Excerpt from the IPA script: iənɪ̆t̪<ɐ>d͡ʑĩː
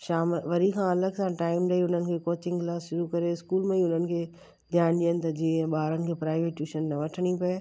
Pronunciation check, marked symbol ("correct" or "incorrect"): correct